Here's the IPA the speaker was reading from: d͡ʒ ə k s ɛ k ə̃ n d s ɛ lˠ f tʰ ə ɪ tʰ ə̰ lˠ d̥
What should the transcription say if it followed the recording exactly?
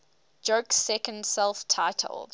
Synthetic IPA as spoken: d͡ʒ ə k s ɛ k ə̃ n d s ɛ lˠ f tʰ a ɪ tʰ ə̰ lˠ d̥